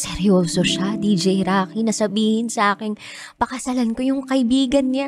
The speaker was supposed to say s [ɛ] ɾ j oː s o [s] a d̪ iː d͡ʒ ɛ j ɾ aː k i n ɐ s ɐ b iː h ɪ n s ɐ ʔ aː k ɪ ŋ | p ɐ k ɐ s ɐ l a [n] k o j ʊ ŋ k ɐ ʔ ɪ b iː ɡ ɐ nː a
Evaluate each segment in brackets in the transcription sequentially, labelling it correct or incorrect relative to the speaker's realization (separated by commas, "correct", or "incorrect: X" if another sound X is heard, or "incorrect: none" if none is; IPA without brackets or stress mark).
correct, incorrect: ʃ, correct